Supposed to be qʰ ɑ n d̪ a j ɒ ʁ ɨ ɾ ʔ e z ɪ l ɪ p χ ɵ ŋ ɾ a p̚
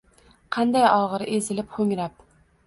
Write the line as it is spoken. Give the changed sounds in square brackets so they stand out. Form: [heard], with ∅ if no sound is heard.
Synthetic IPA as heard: qʰ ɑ n d̪ a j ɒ ʁ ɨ ɾ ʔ e z ɪ l ɪ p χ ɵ ŋ ɾ a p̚